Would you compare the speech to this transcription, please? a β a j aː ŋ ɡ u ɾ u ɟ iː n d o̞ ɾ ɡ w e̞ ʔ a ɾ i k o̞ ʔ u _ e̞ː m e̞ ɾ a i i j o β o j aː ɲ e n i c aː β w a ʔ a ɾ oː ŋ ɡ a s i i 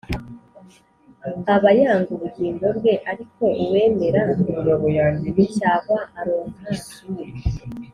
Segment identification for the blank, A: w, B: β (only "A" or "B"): A